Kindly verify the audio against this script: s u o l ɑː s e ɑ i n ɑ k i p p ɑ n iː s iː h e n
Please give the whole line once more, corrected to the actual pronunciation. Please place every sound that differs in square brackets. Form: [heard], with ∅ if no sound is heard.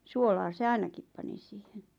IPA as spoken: s u o l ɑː s e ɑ i n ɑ k i p p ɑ n [i] s iː h e n